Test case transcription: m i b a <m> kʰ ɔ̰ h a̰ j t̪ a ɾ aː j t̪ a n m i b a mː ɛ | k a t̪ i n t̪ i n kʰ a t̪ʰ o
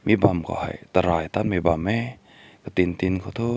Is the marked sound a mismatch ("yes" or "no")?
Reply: no